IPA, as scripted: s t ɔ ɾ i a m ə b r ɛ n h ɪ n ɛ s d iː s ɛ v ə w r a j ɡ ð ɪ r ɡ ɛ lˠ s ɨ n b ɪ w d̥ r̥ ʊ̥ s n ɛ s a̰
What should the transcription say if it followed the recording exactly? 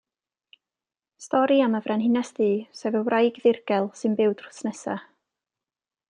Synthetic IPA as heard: s t ɔ ɾ i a m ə v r ɛ n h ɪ n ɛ s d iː s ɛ v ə w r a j ɡ ð ɪ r ɡ ɛ lˠ s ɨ n b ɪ w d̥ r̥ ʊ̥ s n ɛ s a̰